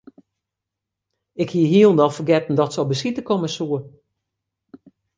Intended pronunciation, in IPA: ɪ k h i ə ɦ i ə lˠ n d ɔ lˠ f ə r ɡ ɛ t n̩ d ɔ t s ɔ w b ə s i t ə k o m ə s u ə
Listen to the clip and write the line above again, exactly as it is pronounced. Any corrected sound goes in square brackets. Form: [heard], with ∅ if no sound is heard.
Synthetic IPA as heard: ɪ k h i ə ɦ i ə lˠ n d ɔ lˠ f ə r ɡ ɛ t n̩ d ɔ t s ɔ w b ə s i t ə k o m ə s u ə